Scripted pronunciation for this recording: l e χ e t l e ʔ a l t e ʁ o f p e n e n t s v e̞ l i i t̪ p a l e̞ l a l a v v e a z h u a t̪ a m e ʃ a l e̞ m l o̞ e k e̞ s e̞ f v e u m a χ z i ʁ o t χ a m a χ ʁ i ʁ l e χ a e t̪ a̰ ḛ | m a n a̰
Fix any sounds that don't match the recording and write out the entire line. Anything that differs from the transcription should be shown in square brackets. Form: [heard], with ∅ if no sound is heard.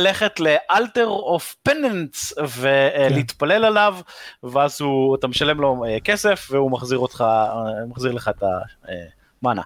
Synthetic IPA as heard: l e χ e t l e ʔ a l t e ʁ o f p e n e n t s v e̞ l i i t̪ p a l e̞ l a l a v v e a z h u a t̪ a m e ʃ a l e̞ m l o̞ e k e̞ s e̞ f v e u m a χ z i ʁ o t χ a m a χ [z] i ʁ l e χ a e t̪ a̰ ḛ | m a n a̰